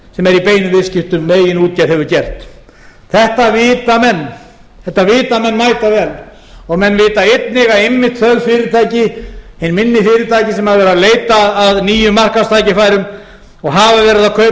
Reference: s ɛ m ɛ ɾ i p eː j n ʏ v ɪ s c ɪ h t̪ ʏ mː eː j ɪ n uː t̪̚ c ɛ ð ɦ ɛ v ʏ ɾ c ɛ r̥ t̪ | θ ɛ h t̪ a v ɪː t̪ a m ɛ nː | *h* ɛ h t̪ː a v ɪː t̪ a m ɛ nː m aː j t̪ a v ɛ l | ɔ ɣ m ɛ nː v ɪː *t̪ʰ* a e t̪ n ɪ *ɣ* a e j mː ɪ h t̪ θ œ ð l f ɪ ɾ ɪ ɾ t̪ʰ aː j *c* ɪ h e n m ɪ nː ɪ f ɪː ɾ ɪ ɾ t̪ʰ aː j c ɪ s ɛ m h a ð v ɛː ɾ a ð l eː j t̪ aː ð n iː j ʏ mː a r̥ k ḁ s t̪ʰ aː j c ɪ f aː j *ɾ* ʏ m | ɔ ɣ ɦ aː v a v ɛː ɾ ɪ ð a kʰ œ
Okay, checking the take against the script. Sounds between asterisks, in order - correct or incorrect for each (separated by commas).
incorrect, incorrect, correct, correct, correct